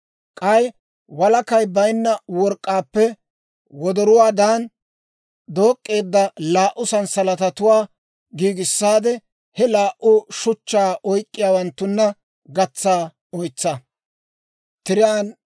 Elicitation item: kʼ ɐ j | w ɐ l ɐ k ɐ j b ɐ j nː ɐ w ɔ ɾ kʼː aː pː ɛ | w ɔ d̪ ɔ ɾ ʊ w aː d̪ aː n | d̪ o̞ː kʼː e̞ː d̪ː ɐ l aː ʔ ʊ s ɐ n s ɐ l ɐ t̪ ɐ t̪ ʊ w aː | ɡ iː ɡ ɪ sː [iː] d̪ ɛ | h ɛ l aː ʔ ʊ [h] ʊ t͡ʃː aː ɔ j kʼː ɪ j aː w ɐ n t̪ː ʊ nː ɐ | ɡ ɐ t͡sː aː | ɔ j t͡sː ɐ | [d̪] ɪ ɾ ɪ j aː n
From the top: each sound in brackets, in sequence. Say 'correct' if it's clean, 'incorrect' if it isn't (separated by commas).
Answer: incorrect, incorrect, incorrect